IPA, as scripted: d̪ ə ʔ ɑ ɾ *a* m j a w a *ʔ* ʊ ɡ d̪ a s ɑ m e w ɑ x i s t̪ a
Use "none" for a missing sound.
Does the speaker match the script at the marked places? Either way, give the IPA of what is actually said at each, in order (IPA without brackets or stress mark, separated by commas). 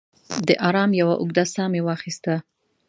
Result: ɑ, ʔ